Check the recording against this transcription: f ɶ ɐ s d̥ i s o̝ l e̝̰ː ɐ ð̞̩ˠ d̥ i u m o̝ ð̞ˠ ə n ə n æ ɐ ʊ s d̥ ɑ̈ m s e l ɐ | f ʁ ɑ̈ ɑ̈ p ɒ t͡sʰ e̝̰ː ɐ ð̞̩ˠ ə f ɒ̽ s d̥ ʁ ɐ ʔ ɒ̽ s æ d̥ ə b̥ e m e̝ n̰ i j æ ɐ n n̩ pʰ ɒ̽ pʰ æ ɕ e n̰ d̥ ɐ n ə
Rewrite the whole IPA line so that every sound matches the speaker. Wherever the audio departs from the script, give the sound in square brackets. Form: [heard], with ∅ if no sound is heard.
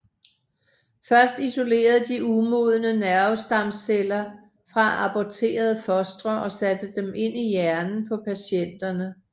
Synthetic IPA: f ɶ ɐ s d̥ i s o̝ l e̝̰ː ɐ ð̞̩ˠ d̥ i u m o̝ ð̞ˠ ə n ə n æ ɐ ʊ s d̥ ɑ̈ m s e l ɐ | f ʁ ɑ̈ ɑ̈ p ɒ t͡sʰ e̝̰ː ɐ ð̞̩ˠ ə f ɒ̽ s d̥ ʁ ɐ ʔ ɒ̽ s æ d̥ ə [d̥] e m e̝ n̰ i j æ ɐ n n̩ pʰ ɒ̽ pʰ æ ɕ e n̰ d̥ ɐ n ə